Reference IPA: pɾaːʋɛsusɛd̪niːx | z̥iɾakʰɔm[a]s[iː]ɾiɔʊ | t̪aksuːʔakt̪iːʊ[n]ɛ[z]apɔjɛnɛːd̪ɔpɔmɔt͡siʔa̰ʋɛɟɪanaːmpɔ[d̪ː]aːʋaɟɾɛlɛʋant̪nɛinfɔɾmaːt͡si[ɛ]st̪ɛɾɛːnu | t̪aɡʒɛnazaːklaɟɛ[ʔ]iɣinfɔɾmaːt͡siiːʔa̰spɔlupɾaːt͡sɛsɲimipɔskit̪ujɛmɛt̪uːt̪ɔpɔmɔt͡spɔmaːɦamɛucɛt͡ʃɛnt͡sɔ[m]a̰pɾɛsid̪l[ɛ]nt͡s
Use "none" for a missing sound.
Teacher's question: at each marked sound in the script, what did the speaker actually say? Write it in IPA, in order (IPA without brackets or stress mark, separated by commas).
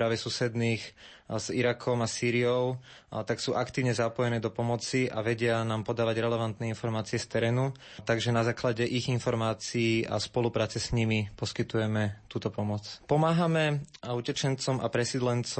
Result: a, iː, ɲ, z, d̪, ɛ, ʔ, m, ɛ